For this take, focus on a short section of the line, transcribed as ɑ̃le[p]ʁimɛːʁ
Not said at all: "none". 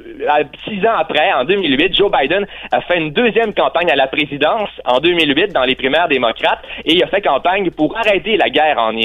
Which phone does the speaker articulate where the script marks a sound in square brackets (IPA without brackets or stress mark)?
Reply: p